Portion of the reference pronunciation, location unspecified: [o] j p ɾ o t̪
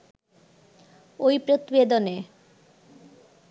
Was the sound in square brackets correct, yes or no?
yes